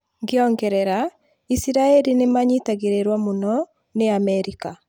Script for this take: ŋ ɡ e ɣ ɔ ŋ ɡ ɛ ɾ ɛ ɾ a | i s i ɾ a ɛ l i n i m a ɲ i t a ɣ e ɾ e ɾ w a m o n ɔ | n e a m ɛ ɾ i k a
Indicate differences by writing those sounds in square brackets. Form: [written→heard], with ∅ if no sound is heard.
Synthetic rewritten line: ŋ ɡ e [ɣ→∅] ɔ ŋ ɡ ɛ ɾ ɛ ɾ a | i s i ɾ a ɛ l i n [i→e] m a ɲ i t a ɣ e ɾ e ɾ w a m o n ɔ | n e a m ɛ ɾ i k a